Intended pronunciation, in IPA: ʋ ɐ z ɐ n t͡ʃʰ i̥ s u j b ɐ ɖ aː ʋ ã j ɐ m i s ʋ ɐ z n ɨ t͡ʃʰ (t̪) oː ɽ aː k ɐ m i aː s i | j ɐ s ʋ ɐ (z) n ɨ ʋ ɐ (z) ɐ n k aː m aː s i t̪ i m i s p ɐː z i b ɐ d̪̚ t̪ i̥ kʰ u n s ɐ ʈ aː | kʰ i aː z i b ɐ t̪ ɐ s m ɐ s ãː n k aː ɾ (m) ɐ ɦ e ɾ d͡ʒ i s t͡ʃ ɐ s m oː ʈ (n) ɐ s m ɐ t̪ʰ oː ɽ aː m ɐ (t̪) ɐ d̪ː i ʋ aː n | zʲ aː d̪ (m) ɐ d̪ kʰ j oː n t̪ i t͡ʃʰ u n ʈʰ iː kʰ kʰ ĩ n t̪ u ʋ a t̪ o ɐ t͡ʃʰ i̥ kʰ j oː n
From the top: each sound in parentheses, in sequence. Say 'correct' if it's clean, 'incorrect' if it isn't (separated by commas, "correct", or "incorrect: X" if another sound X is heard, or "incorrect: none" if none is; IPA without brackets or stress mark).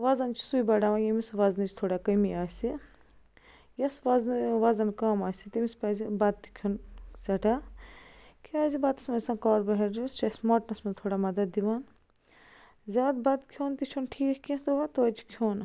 incorrect: t̪ʰ, correct, correct, incorrect: b, correct, incorrect: d̪, incorrect: b